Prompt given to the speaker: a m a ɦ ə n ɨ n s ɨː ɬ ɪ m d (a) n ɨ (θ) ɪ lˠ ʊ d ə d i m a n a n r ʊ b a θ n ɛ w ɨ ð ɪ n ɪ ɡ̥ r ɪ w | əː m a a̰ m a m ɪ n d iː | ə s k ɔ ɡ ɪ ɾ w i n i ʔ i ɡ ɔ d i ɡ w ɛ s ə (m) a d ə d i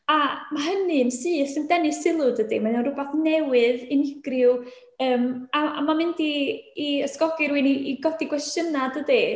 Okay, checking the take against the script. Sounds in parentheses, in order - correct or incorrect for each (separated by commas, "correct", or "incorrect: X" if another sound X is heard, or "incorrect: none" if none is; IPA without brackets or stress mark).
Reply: incorrect: ɛ, incorrect: s, incorrect: n